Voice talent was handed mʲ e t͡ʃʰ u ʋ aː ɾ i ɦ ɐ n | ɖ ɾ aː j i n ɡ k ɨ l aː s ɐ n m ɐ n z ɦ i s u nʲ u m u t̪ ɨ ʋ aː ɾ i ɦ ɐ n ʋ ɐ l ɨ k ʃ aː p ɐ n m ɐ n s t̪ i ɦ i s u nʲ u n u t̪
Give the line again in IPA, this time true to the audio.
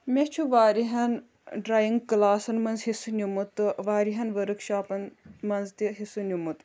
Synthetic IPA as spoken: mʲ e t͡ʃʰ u ʋ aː ɾ i ɦ ɐ n | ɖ ɾ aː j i ŋ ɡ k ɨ l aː s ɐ n m ɐ n z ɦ i s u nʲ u m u t̪ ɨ ʋ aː ɾ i ɦ ɐ n ʋ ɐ ɾ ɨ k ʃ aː p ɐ n m ɐ n z t̪ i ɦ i s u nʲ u m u t̪